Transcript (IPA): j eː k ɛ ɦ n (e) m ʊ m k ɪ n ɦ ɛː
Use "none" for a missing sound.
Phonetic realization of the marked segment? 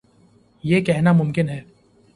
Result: a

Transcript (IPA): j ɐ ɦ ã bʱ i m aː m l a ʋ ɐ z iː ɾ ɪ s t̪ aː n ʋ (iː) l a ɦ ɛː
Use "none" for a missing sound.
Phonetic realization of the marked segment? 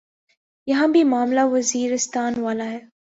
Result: aː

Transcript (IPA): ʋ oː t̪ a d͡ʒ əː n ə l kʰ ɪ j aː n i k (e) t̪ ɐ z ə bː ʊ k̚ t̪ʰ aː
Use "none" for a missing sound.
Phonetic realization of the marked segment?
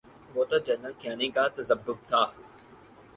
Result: a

